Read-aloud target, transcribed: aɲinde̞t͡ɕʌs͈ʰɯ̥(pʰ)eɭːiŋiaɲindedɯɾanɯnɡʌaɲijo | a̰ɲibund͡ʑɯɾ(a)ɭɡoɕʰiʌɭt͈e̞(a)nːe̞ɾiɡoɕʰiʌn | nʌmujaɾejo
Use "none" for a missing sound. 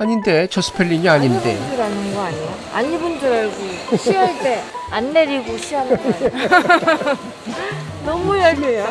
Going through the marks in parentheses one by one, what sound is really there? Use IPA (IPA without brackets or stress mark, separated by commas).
pʰ, a, a